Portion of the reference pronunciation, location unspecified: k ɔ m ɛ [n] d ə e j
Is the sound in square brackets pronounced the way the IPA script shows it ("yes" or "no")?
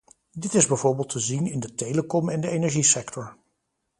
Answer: yes